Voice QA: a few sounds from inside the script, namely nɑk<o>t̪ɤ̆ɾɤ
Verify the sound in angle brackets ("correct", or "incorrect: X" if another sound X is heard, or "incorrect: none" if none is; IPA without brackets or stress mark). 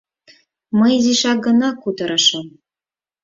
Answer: incorrect: u